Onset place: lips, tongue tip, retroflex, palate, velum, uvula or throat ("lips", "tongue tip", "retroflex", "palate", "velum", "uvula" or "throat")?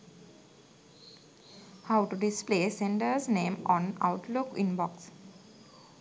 throat